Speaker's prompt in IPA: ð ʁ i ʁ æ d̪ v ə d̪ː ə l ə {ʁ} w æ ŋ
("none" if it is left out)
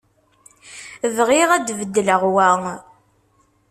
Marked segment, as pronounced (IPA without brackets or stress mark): ʁ